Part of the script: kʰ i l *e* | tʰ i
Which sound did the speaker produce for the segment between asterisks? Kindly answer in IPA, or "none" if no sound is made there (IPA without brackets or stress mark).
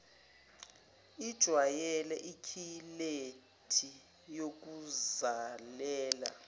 e